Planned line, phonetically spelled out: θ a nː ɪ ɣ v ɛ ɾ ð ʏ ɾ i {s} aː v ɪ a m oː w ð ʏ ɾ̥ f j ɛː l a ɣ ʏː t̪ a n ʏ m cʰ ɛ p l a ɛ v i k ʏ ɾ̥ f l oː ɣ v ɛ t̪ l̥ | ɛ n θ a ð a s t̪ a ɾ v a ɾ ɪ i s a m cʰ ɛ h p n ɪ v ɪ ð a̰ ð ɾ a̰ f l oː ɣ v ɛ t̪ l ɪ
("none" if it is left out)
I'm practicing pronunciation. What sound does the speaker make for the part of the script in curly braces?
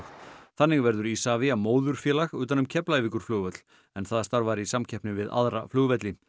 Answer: s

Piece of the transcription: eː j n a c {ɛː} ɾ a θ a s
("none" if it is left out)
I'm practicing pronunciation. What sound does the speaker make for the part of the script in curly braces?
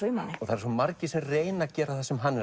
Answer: ɛː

